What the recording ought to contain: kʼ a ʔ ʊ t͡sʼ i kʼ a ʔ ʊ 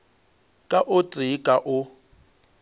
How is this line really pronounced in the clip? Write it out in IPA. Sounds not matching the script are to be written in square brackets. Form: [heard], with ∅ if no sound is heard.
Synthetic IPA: kʼ a ʔ ʊ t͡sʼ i kʼ a ʔ ʊ